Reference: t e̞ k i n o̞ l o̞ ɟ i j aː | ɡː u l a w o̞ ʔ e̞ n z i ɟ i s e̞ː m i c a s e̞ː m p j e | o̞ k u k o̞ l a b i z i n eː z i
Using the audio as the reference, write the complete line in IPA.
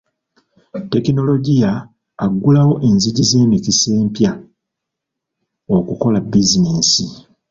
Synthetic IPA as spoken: t e̞ k i n o̞ l o̞ ɟ i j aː | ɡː u l a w o̞ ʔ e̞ n z i ɟ i z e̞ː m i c i s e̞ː m p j a | o̞ k u k o̞ l a b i z i n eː s i